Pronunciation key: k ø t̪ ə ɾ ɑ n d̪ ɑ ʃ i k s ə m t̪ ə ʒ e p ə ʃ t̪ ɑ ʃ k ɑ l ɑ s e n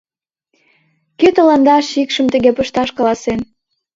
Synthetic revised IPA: k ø t̪ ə l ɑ n d̪ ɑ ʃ i k ʃ ə m t̪ ə ɣ e p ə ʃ t̪ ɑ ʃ k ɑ l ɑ s e n